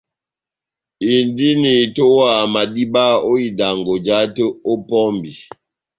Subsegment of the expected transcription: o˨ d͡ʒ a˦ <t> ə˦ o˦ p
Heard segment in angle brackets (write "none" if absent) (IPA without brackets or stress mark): t